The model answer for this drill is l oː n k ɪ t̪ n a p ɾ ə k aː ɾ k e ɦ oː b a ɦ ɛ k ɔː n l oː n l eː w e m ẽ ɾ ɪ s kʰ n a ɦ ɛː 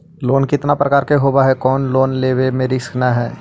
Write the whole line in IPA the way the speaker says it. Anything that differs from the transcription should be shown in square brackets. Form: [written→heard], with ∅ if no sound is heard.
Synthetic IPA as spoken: l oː n k ɪ t̪ n a p ɾ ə k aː ɾ k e ɦ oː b a ɦ ɛ k ɔː n l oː n l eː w e m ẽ ɾ ɪ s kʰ n a ɦ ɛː